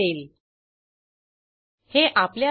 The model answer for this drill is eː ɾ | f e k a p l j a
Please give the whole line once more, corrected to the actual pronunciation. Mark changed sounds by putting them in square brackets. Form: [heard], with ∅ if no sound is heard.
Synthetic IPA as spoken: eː [l] | [h] e [ʔ] a p l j a